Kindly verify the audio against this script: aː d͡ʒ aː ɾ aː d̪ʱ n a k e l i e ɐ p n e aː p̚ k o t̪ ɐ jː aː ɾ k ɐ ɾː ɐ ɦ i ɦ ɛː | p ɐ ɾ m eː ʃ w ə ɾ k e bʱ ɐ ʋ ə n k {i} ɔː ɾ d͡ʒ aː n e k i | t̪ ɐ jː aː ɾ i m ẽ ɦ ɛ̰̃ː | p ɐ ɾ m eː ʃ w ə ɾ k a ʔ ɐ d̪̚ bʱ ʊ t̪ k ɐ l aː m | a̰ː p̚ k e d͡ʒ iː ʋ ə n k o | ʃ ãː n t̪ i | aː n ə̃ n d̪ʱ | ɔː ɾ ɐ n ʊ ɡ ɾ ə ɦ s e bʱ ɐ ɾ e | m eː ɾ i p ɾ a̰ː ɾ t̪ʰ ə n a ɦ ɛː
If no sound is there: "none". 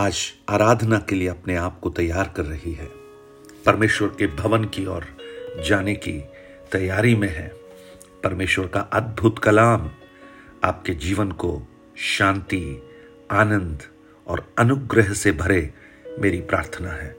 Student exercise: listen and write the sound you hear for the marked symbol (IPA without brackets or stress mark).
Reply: i